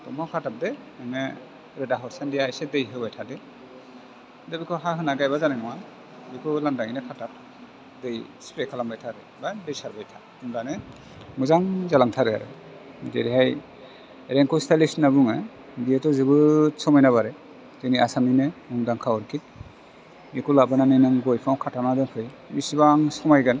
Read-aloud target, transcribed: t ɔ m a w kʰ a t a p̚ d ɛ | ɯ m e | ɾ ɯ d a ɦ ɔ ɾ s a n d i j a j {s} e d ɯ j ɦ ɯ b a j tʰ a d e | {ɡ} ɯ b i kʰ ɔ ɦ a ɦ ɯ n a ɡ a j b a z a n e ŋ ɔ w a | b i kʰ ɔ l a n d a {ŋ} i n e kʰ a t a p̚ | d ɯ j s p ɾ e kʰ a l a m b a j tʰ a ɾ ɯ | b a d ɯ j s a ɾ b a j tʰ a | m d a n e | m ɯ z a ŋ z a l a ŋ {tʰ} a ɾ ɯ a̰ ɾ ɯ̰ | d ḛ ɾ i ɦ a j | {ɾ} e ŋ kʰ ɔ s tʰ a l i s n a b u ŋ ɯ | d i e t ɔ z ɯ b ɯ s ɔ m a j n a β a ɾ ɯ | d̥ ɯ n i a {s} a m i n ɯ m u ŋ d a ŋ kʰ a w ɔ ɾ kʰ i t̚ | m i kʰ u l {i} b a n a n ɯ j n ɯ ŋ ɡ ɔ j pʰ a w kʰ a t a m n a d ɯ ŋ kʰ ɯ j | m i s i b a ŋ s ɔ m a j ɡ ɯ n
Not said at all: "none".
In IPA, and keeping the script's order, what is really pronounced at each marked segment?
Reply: s, d, ŋ, tʰ, ɾ, s, a

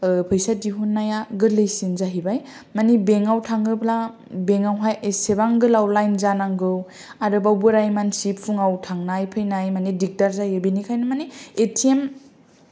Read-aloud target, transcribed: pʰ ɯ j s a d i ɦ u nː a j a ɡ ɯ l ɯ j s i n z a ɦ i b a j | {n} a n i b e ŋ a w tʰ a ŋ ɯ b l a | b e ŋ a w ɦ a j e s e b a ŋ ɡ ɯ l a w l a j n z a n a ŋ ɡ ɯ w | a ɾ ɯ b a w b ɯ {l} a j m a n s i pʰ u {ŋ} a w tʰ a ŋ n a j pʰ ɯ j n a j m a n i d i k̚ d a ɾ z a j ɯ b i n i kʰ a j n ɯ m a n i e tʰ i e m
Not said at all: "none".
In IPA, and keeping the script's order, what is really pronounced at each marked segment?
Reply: m, ɾ, ŋ

